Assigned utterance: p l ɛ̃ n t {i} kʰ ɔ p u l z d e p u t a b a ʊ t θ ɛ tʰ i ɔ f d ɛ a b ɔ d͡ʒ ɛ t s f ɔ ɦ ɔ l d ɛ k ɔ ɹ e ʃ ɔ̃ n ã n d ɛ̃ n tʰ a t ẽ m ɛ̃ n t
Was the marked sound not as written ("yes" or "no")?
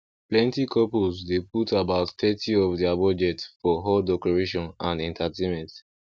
no